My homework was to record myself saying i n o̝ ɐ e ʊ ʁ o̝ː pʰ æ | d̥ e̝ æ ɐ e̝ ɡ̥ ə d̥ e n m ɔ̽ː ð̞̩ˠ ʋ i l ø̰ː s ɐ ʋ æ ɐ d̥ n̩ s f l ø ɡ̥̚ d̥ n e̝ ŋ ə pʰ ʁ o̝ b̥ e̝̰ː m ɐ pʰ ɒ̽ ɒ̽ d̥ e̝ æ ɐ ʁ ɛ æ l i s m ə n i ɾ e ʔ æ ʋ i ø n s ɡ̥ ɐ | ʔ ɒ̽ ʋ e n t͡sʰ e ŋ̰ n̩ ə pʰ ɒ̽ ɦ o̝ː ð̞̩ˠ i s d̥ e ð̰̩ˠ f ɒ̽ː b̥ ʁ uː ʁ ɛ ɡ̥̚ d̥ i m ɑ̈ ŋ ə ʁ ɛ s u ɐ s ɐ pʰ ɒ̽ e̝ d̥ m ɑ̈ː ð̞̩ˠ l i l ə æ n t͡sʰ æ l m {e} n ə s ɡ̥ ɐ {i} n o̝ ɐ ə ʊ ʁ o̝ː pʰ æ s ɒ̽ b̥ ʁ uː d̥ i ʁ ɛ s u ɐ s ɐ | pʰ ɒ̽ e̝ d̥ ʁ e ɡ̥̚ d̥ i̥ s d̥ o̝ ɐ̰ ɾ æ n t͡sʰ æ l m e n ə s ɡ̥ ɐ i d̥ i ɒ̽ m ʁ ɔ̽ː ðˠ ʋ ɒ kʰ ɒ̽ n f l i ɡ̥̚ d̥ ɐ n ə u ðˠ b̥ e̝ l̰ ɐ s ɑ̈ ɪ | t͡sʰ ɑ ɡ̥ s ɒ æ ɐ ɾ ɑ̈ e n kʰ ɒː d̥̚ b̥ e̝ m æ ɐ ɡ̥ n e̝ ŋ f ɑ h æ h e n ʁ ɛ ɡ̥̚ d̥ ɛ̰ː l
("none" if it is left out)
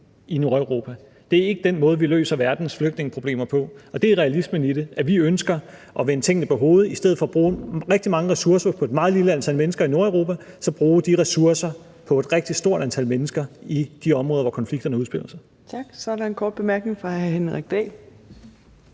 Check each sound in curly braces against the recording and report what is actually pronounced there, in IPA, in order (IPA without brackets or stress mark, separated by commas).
e, i